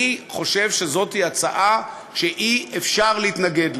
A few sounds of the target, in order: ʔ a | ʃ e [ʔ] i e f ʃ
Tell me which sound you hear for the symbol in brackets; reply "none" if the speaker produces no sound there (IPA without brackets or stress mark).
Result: ʔ